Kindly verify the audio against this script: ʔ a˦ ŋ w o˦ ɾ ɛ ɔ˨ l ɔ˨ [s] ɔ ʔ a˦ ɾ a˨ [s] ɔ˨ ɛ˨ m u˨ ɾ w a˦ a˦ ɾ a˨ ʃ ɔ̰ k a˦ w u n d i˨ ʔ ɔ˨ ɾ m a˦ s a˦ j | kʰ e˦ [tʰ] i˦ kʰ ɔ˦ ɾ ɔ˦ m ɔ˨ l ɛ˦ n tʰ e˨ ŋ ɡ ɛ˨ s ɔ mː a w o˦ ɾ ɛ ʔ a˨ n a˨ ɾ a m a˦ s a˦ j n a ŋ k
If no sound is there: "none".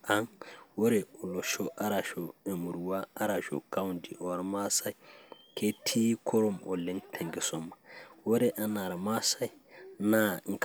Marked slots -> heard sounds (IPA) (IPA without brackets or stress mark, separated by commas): ʃ, ʃ, tʰ